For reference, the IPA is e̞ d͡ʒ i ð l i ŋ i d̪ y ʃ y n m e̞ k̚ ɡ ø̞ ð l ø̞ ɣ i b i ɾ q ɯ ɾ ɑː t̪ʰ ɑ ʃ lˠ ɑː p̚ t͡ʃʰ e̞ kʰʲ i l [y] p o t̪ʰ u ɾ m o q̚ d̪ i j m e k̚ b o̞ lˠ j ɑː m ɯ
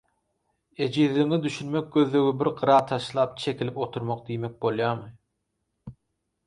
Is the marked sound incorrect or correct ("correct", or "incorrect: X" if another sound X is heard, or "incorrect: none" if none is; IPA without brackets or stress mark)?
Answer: incorrect: i